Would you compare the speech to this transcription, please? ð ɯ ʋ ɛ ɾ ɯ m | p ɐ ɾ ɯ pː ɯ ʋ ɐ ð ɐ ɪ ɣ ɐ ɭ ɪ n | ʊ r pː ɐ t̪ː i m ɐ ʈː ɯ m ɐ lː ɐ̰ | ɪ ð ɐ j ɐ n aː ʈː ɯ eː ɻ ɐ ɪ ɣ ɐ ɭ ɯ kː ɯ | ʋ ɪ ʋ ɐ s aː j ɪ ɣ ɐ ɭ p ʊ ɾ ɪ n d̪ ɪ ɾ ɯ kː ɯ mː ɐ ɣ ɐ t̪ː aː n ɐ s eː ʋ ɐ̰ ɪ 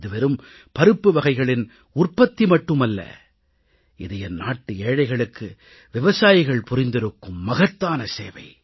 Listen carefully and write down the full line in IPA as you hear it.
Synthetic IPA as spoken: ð ɯ ʋ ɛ ɾ ɯ m | p ɐ ɾ ɯ pː ɯ ʋ ɐ ɣ ɐ ɪ ɣ ɐ ɭ ɪ n | ʊ r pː ɐ t̪ː i m ɐ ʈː ɯ m ɐ lː ɐ̰ | ɪ ð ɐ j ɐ n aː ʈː ɯ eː ɻ ɐ ɪ ɣ ɐ ɭ ɯ kː ɯ | ʋ ɪ ʋ ɐ s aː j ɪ ɣ ɐ ɭ p ʊ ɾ ɪ n d̪ ɪ ɾ ɯ kː ɯ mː ɐ ɣ ɐ t̪ː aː n ɐ s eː ʋ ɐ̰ ɪ

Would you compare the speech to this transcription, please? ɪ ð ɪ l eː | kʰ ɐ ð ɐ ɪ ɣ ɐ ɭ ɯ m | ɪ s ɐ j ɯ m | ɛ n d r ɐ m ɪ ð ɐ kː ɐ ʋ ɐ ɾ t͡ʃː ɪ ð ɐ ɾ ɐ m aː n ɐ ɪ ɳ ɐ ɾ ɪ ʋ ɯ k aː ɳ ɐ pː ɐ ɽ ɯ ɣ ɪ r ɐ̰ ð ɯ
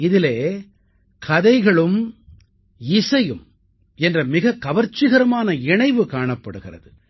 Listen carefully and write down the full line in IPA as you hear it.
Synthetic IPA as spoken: ɪ ð ɪ l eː | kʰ ɐ ð ɐ ɪ ɣ ɐ ɭ ɯ m | ɪ s ɐ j ɯ m | ɛ n d r ɐ m ɪ ɣ ɐ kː ɐ ʋ ɐ ɾ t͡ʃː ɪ ɣ ɐ ɾ ɐ m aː n ɐ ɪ ɳ ɐ ɪ ʋ ɯ k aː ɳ ɐ pː ɐ ɽ ɯ ɣ ɪ r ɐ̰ ð ɯ

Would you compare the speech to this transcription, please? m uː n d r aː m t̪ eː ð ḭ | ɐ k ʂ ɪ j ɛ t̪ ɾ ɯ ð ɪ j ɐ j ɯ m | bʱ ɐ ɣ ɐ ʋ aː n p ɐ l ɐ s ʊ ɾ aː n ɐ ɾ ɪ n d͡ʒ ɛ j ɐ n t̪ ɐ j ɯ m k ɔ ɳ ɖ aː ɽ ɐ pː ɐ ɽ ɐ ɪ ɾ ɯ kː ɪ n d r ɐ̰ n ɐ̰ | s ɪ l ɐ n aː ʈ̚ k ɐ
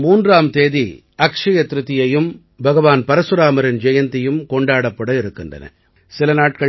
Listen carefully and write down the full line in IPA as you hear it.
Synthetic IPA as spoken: m uː n d r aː m t̪ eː ð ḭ | ɐ k ʂ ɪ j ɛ t̪ ɾ ɯ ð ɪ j ɐ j ɯ m | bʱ ɐ ɣ ɐ ʋ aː n p ɐ ɾ ɐ s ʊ ɾ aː m ɐ ɾ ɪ n d͡ʒ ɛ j ɐ n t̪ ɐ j ɯ m k ɔ ɳ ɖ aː ɽ ɐ pː ɐ ɽ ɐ ɪ ɾ ɯ kː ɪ n d r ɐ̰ n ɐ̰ | s ɪ l ɐ n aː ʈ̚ k ɐ

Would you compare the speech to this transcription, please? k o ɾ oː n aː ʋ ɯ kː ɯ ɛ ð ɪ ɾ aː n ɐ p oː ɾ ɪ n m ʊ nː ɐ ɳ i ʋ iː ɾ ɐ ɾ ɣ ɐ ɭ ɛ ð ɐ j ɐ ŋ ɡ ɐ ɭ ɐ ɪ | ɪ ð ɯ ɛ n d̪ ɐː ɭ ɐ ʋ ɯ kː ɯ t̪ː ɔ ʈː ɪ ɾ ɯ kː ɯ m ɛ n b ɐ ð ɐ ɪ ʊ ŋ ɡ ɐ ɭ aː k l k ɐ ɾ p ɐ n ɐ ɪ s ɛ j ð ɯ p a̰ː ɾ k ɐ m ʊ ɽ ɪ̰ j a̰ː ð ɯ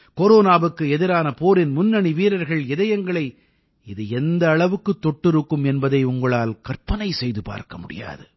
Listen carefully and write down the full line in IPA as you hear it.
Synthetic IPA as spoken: k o ɾ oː n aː ʋ ɯ kː ɯ ɛ ð ɪ ɾ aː n ɐ p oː ɾ ɪ n m ʊ nː ɐ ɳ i ʋ iː ɾ ɐ ɾ ɣ ɐ ɭ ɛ ð ɐ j ɐ ŋ ɡ ɐ ɭ ɐ ɪ | ɪ ð ɯ ɛ n d̪ ɐː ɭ ɐ ʋ ɯ kː ɯ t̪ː ɔ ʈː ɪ ɾ ɯ kː ɯ m ɛ n b ɐ ð ɐ ɪ ʊ ŋ ɡ ɐ ɭ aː l k ɐ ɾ p ɐ n ɐ ɪ s ɛ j ð ɯ p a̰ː ɾ k ɐ m ʊ ɽ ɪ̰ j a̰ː ð ɯ

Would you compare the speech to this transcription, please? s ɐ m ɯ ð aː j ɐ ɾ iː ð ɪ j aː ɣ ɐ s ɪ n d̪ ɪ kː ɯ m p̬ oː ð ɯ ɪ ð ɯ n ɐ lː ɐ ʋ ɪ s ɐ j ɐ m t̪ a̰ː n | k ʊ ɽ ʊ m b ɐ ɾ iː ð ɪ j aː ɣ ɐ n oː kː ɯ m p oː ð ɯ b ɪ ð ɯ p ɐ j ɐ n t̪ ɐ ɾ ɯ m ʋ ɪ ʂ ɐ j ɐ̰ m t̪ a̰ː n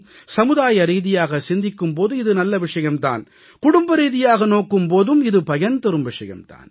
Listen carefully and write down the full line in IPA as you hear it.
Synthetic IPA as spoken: s ɐ m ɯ ð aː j ɐ ɾ iː ð ɪ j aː ɣ ɐ s ɪ n d̪ ɪ kː ɯ m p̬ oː ð ɯ ɪ ð ɯ n ɐ lː ɐ ʋ ɪ ʂ ɐ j ɐ m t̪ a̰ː n | k ʊ ɽ ʊ m b ɐ ɾ iː ð ɪ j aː ɣ ɐ n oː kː ɯ m p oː ð ɯ m ɪ ð ɯ p ɐ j ɐ n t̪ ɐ ɾ ɯ m ʋ ɪ ʂ ɐ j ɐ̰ m t̪ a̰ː n

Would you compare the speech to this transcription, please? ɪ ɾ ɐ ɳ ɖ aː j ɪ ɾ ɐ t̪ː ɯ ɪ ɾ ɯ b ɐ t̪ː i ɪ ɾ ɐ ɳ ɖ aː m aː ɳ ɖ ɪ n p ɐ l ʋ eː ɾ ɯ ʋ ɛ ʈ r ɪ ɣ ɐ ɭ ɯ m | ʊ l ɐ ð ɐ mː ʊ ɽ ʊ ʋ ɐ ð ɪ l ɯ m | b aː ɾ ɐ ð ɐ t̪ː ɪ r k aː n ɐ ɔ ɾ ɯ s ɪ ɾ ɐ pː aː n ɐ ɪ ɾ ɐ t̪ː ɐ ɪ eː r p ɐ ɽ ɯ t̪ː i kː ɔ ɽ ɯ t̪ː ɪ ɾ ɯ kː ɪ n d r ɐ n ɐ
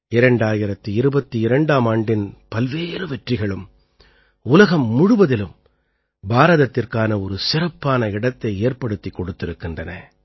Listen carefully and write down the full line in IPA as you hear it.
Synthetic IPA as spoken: ɪ ɾ ɐ ɳ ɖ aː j ɪ ɾ ɐ t̪ː ɯ ɪ ɾ ɯ b ɐ t̪ː i ɪ ɾ ɐ ɳ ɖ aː m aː ɳ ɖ ɪ n p ɐ l ʋ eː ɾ ɯ ʋ ɛ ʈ r ɪ ɣ ɐ ɭ ɯ m | ʊ l ɐ ɣ ɐ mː ʊ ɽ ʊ ʋ ɐ ð ɪ l ɯ m | b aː ɾ ɐ ð ɐ t̪ː ɪ r k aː n ɐ ɔ ɾ ɯ s ɪ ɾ ɐ pː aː n ɐ ɪ ɽ ɐ t̪ː ɐ ɪ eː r p ɐ ɽ ɯ t̪ː i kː ɔ ɽ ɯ t̪ː ɪ ɾ ɯ kː ɪ n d r ɐ n ɐ

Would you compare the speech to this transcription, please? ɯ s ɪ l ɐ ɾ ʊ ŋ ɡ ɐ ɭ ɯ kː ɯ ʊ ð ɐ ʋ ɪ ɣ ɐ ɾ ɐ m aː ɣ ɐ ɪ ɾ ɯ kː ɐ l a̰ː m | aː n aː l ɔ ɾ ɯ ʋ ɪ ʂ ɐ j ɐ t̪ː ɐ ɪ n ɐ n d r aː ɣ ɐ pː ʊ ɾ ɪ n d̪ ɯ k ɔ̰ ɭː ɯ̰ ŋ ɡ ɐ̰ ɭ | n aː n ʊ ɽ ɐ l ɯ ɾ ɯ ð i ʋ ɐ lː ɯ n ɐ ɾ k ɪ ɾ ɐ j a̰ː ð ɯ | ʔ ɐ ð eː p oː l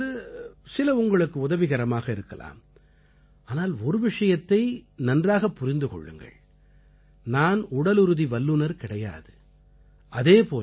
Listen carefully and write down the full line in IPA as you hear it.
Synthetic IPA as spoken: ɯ s ɪ l ɐ ʊ ŋ ɡ ɐ ɭ ɯ kː ɯ ʊ ð ɐ ʋ ɪ ɣ ɐ ɾ ɐ m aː ɣ ɐ ɪ ɾ ɯ kː ɐ l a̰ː m | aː n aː l ɔ ɾ ɯ ʋ ɪ ʂ ɐ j ɐ t̪ː ɐ ɪ n ɐ n d r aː ɣ ɐ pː ʊ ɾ ɪ n d̪ ɯ k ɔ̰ ɭː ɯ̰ ŋ ɡ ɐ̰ ɭ | n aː n ʊ ɽ ɐ l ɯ ɾ ɯ ð i ʋ ɐ lː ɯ n ɐ ɾ k ɪ ɽ ɐ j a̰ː ð ɯ | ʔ ɐ ð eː p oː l

